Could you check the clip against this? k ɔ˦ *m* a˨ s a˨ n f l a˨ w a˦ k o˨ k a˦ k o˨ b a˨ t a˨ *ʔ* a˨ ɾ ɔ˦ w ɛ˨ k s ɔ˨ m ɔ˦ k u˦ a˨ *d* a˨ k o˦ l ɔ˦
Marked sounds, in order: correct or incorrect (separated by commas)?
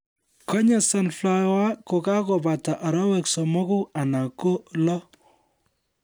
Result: incorrect, correct, incorrect